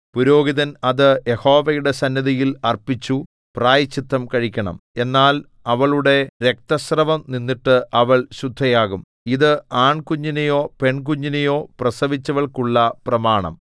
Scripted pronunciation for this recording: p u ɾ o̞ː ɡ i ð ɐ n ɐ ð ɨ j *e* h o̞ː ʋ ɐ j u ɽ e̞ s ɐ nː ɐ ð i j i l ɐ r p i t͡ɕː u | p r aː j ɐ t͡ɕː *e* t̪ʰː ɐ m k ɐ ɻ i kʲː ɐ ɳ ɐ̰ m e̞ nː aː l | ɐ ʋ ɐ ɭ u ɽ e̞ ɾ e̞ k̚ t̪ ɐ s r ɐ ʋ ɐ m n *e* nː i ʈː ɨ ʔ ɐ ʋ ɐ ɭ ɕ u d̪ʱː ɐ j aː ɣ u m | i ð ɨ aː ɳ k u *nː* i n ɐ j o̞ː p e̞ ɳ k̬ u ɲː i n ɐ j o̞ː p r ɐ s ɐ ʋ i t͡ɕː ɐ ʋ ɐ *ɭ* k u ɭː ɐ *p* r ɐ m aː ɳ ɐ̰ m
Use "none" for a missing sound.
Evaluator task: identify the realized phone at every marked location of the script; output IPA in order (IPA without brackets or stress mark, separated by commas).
e, i, i, ɲː, ɭ, p